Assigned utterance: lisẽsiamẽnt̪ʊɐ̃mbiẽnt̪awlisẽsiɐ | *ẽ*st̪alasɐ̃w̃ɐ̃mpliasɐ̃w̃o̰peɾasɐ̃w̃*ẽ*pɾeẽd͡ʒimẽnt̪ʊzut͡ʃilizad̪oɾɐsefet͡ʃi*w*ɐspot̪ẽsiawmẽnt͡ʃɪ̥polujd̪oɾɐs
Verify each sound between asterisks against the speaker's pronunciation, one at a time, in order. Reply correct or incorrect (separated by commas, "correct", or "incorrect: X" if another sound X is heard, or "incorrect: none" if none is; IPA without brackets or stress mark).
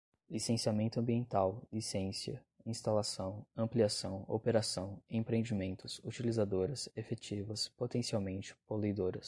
incorrect: ĩ, correct, incorrect: v